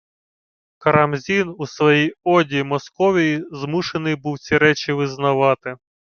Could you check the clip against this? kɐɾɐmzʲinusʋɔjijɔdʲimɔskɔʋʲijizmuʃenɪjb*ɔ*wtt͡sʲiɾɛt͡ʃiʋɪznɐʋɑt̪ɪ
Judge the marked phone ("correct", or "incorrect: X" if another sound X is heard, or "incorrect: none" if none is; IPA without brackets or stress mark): incorrect: u